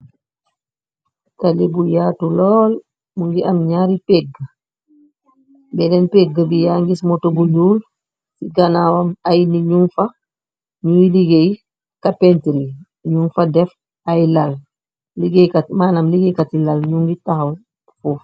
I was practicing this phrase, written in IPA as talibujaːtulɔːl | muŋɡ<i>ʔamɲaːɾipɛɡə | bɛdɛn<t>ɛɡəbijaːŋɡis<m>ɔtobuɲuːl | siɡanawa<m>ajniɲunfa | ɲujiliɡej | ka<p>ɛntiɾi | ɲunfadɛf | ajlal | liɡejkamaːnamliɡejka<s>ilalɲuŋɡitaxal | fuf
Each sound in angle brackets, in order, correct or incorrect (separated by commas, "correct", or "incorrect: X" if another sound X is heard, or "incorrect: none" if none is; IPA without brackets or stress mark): correct, incorrect: p, correct, correct, correct, incorrect: t